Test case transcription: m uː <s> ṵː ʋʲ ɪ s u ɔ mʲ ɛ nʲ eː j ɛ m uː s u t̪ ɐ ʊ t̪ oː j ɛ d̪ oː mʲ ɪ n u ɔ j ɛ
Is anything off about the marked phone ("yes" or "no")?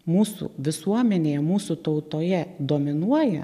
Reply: no